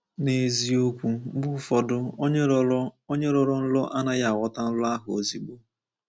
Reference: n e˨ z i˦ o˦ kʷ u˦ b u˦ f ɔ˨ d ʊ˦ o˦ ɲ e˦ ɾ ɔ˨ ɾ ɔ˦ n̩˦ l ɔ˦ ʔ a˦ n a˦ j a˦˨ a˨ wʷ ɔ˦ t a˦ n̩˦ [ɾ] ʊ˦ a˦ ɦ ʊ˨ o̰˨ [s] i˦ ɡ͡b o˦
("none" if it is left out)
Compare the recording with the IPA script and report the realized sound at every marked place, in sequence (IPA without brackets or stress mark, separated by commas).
l, z